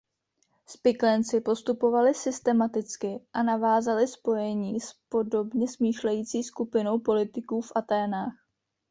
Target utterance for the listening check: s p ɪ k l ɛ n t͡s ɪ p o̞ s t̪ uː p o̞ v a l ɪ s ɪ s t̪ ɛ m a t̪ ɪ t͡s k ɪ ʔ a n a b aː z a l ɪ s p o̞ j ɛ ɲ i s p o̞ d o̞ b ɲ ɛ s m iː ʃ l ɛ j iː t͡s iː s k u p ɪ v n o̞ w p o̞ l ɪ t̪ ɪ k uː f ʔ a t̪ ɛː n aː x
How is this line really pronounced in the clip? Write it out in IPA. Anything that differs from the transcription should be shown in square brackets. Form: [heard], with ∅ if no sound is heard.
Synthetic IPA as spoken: s p ɪ k l ɛ n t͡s ɪ p o̞ s t̪ [u] p o̞ v a l ɪ s ɪ s t̪ ɛ m a t̪ ɪ t͡s k ɪ ʔ a n a [v] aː z a l ɪ s p o̞ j ɛ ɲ [iː] s p o̞ d o̞ b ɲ ɛ s m iː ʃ l ɛ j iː t͡s iː s k u p ɪ [∅] n o̞ w p o̞ l ɪ t̪ ɪ k uː f ʔ a t̪ ɛː n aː x